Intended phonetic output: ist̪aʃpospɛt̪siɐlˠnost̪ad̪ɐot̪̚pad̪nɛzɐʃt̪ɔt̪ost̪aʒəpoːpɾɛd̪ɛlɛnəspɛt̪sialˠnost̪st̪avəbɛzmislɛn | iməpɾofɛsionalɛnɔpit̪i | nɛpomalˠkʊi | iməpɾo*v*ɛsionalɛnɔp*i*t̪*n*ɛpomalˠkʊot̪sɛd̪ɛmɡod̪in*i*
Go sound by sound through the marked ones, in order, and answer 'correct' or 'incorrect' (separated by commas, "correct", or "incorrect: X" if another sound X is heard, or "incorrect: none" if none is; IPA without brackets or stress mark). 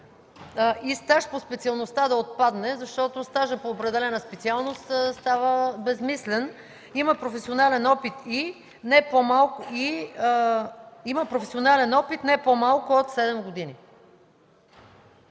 incorrect: f, correct, correct, correct